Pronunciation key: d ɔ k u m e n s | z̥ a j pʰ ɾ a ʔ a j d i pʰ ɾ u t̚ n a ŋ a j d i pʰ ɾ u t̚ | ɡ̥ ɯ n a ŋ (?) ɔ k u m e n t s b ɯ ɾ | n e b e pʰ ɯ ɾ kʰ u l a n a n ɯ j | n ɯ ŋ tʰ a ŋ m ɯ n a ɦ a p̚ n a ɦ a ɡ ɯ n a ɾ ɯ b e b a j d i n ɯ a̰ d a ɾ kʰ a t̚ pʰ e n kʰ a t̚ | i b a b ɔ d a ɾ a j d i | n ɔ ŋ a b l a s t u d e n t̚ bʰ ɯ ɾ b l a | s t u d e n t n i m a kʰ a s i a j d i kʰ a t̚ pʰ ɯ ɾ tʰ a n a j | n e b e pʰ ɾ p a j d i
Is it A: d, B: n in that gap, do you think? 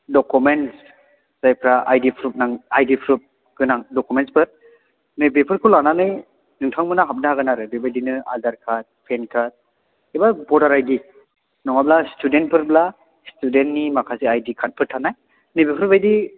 A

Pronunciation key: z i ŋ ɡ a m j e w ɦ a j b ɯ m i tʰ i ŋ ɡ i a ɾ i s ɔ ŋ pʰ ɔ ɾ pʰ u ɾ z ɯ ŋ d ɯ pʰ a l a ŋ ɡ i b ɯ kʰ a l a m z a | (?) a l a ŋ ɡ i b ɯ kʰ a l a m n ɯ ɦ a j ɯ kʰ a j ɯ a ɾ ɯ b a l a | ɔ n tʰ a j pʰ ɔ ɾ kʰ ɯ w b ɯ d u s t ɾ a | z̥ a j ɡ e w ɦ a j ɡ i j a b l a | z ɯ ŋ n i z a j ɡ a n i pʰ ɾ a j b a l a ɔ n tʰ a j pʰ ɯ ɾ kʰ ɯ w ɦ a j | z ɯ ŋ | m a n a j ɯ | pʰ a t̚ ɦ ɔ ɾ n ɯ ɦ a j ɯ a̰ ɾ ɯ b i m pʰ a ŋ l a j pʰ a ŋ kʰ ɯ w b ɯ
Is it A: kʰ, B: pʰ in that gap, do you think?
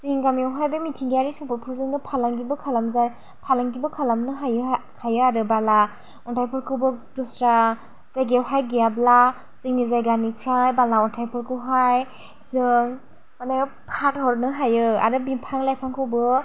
B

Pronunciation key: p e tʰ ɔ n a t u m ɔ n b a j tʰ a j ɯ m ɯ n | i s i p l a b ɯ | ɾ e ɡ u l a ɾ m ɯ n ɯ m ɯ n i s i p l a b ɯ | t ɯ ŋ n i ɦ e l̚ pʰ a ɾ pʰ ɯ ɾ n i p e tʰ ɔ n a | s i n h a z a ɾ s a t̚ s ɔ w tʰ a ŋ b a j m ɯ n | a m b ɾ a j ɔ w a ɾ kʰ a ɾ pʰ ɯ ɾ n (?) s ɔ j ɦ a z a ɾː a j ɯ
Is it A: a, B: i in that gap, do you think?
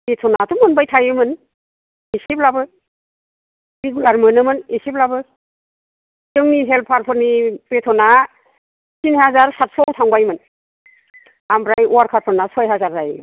A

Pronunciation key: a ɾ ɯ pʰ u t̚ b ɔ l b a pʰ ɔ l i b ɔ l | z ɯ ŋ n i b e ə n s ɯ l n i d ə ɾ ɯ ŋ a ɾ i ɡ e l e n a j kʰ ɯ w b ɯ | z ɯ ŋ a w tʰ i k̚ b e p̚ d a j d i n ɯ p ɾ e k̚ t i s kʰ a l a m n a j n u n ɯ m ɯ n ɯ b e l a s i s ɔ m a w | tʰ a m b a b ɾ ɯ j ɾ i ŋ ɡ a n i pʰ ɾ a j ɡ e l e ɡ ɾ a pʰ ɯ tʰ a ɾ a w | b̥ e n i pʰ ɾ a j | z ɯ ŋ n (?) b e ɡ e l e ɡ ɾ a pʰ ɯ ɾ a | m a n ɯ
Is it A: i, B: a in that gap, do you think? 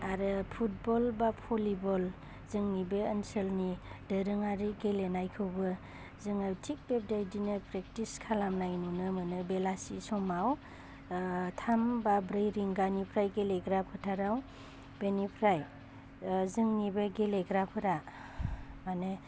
A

